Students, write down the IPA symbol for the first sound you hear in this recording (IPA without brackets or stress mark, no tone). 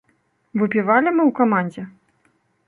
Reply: v